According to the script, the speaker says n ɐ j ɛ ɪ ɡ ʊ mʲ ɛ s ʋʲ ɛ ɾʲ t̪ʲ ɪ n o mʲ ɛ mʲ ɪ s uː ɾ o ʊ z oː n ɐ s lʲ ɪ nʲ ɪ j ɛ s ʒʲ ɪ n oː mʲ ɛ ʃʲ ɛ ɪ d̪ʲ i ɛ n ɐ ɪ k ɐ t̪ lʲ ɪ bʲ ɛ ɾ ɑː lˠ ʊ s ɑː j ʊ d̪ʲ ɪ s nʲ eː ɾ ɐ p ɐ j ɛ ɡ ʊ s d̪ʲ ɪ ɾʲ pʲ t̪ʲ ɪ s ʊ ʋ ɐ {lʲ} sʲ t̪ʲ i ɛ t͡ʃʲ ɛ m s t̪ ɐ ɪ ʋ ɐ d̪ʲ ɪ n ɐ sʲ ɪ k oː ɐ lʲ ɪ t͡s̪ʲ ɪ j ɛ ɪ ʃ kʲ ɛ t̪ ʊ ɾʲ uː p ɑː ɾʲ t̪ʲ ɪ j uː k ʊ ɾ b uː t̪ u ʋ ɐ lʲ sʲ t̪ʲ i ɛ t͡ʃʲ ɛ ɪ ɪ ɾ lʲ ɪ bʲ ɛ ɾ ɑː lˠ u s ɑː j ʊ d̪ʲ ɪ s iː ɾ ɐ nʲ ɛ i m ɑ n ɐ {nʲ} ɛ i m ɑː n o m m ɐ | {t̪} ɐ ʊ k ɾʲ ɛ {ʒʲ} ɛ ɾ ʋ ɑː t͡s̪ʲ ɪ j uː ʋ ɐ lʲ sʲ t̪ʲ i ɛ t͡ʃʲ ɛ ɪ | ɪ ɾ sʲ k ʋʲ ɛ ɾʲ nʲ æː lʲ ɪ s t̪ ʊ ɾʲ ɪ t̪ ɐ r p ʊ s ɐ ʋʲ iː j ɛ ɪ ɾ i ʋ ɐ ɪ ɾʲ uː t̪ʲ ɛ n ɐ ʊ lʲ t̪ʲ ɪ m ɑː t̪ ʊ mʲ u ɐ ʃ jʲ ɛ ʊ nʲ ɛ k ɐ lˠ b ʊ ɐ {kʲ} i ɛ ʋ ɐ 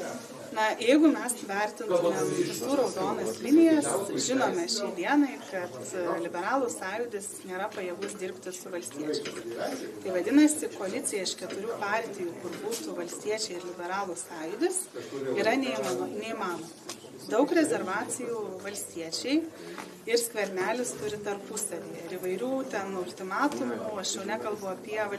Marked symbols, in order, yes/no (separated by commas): yes, yes, no, no, no